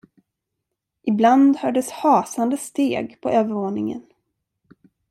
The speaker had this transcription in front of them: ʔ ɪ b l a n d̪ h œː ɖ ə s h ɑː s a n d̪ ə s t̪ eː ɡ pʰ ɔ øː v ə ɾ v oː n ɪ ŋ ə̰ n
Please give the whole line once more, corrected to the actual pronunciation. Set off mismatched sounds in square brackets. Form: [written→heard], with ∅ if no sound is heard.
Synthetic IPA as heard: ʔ ɪ b l a n d̪ h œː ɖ ə s h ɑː s a n d̪ ə s t̪ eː ɡ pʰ ɔ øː v ə ɾ v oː n ɪ ŋ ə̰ n

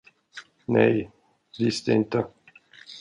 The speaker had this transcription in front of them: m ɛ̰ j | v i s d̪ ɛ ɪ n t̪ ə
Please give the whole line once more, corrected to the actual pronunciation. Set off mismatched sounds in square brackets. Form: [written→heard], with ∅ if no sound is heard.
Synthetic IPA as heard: [m→n] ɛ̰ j | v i s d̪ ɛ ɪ n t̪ ə

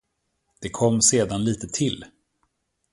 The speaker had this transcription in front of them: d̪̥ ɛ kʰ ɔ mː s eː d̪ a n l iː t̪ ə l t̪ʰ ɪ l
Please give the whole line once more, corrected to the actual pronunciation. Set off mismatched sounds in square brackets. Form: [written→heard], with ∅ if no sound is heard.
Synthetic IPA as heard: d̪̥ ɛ kʰ ɔ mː s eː d̪ a n l iː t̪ ə [l→∅] t̪ʰ ɪ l

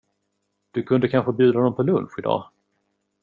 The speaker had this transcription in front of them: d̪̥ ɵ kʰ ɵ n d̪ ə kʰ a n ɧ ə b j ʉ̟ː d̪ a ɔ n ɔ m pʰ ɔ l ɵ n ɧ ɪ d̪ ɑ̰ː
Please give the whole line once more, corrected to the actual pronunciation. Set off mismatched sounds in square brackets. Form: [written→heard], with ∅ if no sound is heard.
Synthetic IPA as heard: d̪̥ ɵ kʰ ɵ n d̪ ə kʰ a n ɧ ə b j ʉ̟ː d̪ a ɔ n ɔ m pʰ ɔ l ɵ n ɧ ɪ d̪ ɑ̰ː

